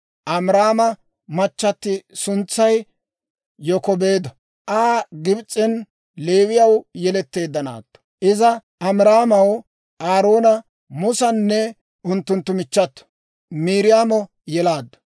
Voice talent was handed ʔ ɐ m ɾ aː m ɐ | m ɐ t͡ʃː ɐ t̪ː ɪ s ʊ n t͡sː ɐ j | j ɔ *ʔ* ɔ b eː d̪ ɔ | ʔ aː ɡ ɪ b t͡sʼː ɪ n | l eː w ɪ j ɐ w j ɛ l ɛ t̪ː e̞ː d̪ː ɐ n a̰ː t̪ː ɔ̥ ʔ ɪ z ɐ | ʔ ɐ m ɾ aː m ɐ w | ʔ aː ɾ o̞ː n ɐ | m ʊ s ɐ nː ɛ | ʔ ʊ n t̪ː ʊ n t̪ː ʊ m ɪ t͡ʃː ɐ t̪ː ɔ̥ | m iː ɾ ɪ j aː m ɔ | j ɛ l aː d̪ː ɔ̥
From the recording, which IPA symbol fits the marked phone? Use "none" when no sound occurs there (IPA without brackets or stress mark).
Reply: k